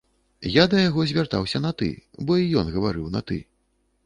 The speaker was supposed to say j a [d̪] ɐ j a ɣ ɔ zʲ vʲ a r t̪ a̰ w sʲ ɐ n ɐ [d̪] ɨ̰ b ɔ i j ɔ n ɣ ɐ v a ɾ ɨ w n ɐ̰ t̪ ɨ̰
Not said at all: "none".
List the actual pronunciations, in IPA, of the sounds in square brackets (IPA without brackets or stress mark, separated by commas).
d̪, t̪